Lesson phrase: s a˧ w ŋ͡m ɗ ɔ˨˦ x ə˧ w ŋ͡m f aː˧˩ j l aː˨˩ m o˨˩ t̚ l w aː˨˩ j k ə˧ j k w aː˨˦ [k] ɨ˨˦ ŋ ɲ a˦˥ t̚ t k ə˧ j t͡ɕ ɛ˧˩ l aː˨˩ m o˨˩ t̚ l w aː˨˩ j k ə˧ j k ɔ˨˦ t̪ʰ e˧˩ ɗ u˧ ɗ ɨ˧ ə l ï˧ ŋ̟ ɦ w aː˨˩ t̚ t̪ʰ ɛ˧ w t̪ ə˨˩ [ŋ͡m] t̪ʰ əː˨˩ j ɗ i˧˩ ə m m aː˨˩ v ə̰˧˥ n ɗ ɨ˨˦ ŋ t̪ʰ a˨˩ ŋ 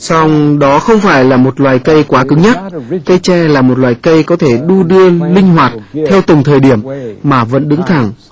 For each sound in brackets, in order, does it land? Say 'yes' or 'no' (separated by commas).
yes, yes